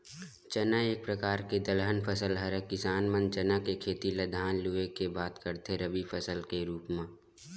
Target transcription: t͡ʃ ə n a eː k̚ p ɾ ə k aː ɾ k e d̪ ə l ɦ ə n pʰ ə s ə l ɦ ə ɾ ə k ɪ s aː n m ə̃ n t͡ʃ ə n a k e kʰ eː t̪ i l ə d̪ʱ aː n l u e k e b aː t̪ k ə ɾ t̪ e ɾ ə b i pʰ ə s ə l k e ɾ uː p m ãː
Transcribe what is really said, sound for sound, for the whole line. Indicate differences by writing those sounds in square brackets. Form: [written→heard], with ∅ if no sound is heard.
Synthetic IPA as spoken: t͡ʃ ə n a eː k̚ p ɾ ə k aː ɾ k e d̪ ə l ɦ ə n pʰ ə s ə l ɦ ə ɾ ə k ɪ s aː n m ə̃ n t͡ʃ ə n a k e kʰ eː t̪ i l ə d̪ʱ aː n l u e k e b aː t̪ k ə ɾ t̪ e ɾ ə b i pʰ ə s ə l k e ɾ uː p m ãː